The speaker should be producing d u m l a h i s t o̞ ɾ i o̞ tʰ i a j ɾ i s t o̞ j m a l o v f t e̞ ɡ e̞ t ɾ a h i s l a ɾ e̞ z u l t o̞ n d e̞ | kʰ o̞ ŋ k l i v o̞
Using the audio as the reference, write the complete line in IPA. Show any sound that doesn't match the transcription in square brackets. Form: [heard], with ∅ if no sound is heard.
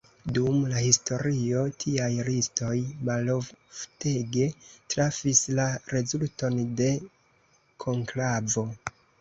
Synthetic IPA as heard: d u m l a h i s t o̞ ɾ i o̞ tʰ i a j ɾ i s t o̞ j m a l o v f t e̞ ɡ e̞ t ɾ a [f] i s l a ɾ e̞ z u l t o̞ n d e̞ | kʰ o̞ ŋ k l [a] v o̞